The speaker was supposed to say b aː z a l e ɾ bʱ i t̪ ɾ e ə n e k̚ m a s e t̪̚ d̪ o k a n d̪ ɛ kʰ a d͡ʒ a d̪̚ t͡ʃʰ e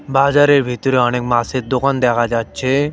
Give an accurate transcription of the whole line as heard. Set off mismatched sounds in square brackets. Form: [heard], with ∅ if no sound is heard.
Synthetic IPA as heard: b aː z a [ɾ] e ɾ bʱ i t̪ ɾ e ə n e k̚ m a s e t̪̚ d̪ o k a n d̪ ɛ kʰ a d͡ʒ a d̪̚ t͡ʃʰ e